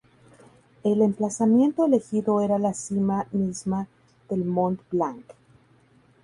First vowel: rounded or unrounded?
unrounded